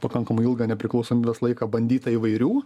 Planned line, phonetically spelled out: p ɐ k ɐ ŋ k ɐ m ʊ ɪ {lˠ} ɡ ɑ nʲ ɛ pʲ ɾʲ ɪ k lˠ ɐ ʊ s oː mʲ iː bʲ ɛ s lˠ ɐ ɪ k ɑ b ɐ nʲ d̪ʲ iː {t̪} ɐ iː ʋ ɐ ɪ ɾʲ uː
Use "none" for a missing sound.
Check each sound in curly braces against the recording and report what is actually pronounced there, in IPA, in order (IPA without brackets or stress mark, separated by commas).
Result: lˠ, t̪